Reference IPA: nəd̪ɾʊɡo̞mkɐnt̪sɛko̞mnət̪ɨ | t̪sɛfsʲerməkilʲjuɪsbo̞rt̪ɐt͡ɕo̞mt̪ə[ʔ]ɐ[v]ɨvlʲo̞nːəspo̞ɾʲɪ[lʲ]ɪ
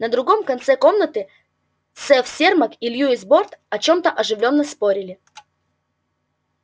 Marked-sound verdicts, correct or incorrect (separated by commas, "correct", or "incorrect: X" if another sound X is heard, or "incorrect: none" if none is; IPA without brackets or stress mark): correct, incorrect: ʐ, correct